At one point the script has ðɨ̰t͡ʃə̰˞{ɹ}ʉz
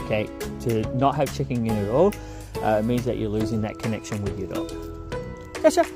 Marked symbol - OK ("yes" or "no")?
no